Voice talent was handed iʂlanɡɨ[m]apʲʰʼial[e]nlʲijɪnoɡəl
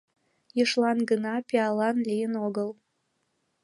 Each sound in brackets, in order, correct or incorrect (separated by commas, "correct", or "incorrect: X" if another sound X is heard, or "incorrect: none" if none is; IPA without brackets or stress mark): incorrect: n, incorrect: a